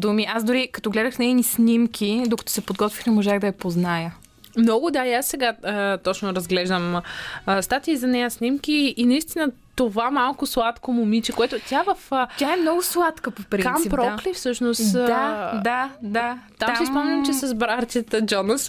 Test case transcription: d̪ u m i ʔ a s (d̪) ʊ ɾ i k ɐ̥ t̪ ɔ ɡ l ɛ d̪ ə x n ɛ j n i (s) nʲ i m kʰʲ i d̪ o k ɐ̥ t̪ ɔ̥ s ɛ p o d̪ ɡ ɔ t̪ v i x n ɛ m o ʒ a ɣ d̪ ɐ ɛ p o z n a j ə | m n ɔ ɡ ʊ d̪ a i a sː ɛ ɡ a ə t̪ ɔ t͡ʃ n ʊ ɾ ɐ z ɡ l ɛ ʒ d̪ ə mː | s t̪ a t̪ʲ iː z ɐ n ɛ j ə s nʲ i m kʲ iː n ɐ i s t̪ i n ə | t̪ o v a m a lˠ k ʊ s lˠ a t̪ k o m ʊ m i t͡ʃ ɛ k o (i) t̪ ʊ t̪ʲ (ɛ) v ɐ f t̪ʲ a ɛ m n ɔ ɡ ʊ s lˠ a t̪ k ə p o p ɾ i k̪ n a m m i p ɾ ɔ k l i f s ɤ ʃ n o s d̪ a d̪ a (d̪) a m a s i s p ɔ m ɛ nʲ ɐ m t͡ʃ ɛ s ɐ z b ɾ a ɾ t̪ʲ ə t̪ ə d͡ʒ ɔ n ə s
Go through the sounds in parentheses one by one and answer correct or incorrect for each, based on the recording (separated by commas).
correct, correct, incorrect, incorrect, incorrect